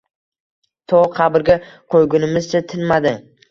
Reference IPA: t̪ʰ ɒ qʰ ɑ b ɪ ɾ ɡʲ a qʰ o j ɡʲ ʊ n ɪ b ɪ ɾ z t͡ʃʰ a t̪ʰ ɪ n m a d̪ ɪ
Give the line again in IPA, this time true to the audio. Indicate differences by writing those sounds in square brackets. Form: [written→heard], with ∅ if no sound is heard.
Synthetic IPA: t̪ʰ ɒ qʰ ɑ b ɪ ɾ ɡʲ a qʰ o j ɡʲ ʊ n ɪ [b→m] ɪ [ɾ→∅] z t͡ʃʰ a t̪ʰ ɪ n m a d̪ ɪ

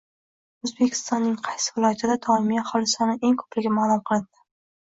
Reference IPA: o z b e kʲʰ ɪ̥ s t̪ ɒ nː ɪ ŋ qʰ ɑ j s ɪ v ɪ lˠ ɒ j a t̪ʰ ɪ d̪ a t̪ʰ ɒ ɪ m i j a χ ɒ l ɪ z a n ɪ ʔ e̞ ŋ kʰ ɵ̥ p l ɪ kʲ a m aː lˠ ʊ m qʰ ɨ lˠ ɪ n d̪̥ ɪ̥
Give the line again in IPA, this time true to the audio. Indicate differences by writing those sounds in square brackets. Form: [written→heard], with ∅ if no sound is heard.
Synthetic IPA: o z b e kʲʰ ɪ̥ s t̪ ɒ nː ɪ ŋ qʰ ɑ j s ɪ v ɪ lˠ ɒ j a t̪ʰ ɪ d̪ a t̪ʰ ɒ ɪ m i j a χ ɒ l ɪ [z→s] a n ɪ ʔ e̞ ŋ kʰ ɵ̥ p l ɪ [kʲ→ɡʲ] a m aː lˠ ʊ m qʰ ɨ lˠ ɪ n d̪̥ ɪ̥

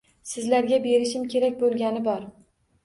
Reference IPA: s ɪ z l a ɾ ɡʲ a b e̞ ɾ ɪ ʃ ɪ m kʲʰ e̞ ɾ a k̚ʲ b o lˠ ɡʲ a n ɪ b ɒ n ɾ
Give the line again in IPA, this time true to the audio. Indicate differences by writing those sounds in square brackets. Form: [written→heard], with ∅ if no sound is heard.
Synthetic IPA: s ɪ z l a ɾ ɡʲ a b e̞ ɾ ɪ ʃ ɪ m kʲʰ e̞ ɾ a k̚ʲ b o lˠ ɡʲ a n ɪ b ɒ [n→∅] ɾ

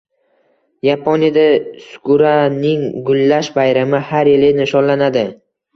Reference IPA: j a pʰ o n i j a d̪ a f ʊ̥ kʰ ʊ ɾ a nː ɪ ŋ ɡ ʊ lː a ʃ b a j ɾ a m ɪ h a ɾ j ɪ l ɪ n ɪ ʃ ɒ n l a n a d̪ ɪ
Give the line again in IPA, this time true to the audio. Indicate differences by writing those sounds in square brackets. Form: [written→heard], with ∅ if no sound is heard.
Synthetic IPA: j a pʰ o n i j a d̪ a [f→s] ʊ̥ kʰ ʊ ɾ a [nː→n] ɪ ŋ ɡ ʊ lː a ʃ b a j ɾ a m ɪ h a ɾ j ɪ l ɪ n ɪ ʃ ɒ n l a n a d̪ ɪ

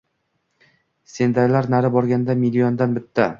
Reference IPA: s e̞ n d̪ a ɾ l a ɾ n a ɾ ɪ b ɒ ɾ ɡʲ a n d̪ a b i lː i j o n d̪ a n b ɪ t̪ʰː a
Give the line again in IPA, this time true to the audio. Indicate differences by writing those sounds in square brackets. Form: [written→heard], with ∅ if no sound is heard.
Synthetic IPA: s e̞ n d̪ a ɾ l a ɾ n a ɾ ɪ b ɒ ɾ ɡʲ a n d̪ a [b→m] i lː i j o n d̪ a n b ɪ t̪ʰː a

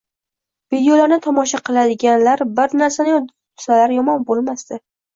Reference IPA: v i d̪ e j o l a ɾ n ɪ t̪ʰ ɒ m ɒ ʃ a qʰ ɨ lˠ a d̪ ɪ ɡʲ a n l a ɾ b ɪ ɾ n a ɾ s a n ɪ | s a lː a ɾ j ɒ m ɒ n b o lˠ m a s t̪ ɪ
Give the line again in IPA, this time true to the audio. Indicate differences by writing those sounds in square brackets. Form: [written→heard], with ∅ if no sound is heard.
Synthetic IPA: v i d̪ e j o l a ɾ n ɪ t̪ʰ ɒ m ɒ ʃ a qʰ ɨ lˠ a d̪ ɪ ɡʲ a n l a ɾ b ɪ ɾ n a ɾ s a n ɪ | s a [lː→l] a ɾ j ɒ m ɒ n b o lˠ m a s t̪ ɪ

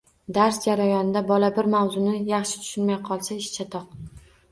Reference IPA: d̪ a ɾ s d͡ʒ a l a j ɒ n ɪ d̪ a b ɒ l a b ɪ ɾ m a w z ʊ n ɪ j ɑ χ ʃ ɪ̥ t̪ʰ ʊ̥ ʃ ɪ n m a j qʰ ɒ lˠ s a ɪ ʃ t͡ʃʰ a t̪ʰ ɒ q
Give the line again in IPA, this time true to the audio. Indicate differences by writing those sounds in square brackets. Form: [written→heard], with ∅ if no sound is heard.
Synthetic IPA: d̪ a ɾ s d͡ʒ a [l→ɾ] a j ɒ n ɪ d̪ a b ɒ l a b ɪ ɾ m a w z ʊ n ɪ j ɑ χ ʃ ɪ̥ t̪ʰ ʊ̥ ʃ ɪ n m a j qʰ ɒ lˠ s a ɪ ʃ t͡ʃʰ a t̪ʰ ɒ q

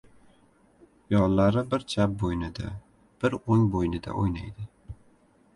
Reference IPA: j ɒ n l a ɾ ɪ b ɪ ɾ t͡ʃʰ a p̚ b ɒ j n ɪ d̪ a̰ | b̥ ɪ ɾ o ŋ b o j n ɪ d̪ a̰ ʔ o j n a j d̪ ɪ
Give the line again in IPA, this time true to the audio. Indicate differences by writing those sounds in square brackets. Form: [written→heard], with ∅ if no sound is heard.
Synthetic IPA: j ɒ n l a ɾ ɪ b ɪ ɾ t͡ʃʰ a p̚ b [ɒ→o] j n ɪ d̪ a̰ | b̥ ɪ ɾ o ŋ b o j n ɪ d̪ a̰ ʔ o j n a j d̪ ɪ

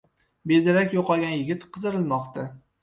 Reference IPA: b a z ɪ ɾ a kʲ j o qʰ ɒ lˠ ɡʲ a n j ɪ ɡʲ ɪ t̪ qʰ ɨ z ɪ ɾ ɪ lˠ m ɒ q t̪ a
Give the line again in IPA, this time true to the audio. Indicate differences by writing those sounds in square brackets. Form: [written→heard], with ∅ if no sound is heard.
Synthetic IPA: b [a→e] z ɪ ɾ a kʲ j o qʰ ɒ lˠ ɡʲ a n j ɪ ɡʲ ɪ t̪ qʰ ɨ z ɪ ɾ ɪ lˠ m ɒ q t̪ a

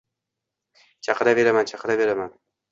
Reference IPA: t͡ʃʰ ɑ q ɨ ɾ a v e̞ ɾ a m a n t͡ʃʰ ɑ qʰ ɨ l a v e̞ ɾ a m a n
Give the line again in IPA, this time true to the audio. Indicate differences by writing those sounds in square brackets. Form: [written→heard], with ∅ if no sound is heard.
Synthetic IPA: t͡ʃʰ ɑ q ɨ ɾ a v e̞ ɾ a m a n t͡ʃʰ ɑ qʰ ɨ [l→ɾ] a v e̞ ɾ a m a n

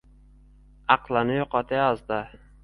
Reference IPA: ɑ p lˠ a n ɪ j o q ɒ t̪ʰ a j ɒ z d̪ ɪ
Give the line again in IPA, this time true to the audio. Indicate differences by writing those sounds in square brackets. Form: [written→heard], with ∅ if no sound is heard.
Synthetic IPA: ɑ [p→q] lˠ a n ɪ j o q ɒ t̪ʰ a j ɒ z d̪ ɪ

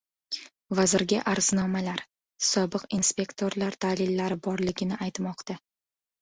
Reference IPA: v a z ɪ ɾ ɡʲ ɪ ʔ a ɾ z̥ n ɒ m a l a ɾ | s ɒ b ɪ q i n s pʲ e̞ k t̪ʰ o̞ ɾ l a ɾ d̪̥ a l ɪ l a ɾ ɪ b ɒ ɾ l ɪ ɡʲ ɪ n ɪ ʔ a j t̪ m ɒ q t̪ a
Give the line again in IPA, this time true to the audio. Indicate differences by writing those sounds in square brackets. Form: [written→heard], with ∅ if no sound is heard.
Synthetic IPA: v a z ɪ ɾ ɡʲ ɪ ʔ a ɾ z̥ n ɒ m a l a ɾ | s ɒ b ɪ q i n s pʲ e̞ k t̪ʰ o̞ ɾ l a ɾ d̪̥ a l ɪ [l→lː] a ɾ ɪ b ɒ ɾ l ɪ ɡʲ ɪ n ɪ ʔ a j t̪ m ɒ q t̪ a

